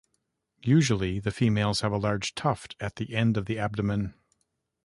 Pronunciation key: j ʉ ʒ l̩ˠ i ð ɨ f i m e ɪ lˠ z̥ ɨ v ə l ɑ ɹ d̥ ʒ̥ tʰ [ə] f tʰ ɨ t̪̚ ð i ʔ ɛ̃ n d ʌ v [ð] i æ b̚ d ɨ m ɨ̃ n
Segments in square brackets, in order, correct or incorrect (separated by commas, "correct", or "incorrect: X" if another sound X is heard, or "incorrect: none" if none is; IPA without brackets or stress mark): incorrect: ʌ, correct